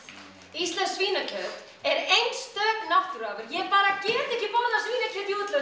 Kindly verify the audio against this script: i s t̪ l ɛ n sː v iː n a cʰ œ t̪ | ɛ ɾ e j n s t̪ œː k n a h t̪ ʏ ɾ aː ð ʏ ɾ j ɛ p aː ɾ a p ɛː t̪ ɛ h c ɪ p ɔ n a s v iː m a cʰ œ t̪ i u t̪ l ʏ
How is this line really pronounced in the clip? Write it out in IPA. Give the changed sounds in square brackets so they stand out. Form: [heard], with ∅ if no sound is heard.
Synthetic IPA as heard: i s t̪ l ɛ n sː v iː n a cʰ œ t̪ | ɛ ɾ e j n s t̪ œː k n a h t̪ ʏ ɾ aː [v] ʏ ɾ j ɛ p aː ɾ a [c] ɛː t̪ ɛ h c ɪ p ɔ n a s v iː [n] a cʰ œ t̪ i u t̪ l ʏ